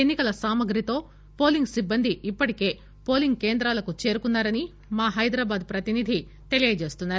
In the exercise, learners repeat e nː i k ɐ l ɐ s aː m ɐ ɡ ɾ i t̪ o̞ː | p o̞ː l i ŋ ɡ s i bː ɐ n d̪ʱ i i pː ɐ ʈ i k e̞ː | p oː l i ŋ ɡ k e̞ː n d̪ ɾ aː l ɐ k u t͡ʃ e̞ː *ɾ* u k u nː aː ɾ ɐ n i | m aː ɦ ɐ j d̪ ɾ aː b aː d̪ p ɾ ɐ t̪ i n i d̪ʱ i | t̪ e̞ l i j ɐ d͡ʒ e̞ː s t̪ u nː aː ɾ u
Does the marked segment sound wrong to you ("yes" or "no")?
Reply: no